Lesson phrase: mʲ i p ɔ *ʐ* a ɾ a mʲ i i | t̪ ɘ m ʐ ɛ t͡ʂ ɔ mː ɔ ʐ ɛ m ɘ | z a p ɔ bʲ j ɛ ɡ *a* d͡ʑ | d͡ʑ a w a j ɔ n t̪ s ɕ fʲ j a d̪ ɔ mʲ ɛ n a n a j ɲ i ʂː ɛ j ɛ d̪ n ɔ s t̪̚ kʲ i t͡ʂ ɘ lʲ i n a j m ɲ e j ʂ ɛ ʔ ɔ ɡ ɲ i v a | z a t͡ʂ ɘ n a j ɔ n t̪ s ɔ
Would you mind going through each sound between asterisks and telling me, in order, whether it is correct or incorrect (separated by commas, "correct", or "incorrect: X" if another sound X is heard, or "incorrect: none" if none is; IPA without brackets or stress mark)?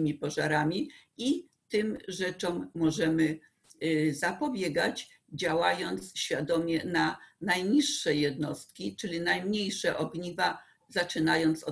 correct, correct